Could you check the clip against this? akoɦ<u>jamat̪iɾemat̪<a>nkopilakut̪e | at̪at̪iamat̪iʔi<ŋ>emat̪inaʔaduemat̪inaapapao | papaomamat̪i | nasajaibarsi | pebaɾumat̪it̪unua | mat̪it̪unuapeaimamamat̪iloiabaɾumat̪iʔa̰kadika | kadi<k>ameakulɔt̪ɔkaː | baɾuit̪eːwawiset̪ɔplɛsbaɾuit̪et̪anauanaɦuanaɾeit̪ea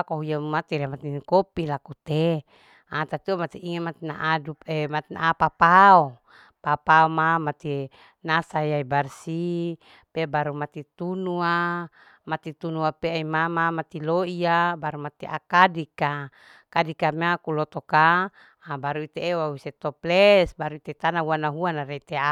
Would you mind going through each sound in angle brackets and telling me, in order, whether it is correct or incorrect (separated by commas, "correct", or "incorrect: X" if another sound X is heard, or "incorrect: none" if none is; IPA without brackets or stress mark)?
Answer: correct, incorrect: i, correct, correct